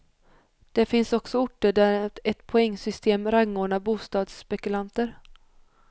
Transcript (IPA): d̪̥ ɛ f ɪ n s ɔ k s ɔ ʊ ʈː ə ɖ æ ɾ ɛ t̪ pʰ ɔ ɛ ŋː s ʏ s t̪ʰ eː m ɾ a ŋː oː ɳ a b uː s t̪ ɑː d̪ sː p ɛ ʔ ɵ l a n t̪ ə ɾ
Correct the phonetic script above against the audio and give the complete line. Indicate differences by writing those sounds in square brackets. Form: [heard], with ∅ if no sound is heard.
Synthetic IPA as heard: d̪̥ ɛ f ɪ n s ɔ k s ɔ ʊ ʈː ə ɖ æ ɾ ɛ t̪ pʰ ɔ ɛ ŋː s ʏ s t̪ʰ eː m ɾ a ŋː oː ɳ a b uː s t̪ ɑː d̪ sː p ɛ [k] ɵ l a n t̪ ə ɾ